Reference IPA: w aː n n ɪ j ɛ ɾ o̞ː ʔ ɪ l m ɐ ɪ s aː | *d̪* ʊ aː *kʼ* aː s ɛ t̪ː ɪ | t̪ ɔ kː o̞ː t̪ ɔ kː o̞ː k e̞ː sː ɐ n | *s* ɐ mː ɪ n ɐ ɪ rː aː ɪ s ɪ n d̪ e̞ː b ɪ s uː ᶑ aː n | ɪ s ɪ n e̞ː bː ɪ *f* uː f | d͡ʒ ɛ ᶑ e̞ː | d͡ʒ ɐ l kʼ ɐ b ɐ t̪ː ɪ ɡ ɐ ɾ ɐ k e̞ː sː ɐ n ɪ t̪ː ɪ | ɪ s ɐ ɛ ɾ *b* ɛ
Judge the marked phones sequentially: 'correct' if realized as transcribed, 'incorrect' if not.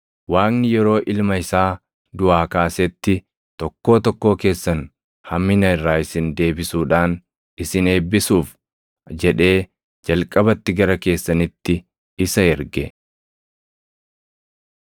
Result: correct, incorrect, incorrect, incorrect, incorrect

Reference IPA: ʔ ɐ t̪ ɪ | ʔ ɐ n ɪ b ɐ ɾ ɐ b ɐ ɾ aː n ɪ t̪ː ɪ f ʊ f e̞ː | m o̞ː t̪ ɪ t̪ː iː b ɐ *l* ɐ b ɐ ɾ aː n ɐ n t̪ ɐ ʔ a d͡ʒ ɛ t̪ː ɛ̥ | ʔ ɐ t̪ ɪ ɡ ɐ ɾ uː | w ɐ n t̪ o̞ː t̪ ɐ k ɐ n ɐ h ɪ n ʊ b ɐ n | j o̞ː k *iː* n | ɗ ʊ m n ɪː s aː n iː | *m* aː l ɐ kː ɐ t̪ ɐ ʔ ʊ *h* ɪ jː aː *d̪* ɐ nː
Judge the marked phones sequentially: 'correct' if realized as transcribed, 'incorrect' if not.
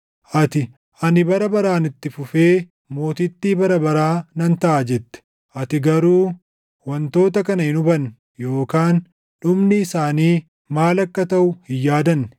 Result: incorrect, incorrect, correct, correct, correct

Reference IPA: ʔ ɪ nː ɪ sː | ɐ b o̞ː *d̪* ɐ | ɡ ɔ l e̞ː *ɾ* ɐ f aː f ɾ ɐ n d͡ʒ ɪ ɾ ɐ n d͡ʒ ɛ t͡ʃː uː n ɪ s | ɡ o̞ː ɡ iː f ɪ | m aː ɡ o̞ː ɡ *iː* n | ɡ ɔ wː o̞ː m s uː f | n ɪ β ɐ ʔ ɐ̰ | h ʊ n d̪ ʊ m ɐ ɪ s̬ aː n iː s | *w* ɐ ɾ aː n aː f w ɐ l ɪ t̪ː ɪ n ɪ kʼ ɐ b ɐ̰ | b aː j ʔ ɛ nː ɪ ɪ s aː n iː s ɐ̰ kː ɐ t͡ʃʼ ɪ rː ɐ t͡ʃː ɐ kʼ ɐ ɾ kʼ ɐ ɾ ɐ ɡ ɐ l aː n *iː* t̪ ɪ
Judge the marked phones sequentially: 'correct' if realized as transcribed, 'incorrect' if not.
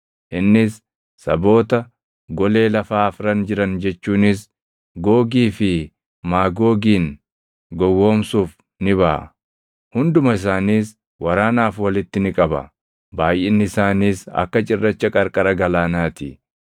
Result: incorrect, incorrect, correct, correct, incorrect

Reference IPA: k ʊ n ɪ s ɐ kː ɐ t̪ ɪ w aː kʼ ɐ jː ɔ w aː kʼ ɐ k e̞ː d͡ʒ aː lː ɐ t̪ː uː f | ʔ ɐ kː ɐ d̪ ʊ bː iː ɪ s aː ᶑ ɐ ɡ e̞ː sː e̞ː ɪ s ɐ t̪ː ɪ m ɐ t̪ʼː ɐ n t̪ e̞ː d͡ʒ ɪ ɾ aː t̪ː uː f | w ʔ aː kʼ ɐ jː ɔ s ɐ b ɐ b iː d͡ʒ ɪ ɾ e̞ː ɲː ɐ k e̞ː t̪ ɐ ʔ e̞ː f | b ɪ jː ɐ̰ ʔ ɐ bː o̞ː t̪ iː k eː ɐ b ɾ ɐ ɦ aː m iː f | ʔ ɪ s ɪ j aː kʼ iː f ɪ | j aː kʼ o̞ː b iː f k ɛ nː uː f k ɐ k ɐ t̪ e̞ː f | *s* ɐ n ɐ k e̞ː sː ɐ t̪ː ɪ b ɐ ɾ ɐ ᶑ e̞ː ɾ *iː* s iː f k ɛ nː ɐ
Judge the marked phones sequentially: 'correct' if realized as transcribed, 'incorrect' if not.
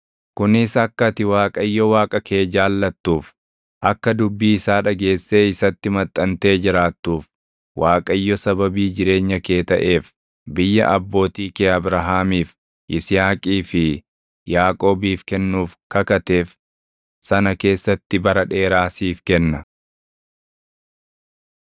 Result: correct, incorrect

